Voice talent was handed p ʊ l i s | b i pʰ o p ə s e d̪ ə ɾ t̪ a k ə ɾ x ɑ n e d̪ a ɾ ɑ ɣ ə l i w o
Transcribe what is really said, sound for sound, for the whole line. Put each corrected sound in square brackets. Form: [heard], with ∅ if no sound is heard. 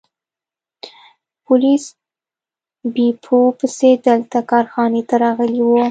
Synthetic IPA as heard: p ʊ l i s | b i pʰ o p ə s e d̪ ə [l] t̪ a k [ɑ] ɾ x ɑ n e [t̪] a ɾ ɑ ɣ ə l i w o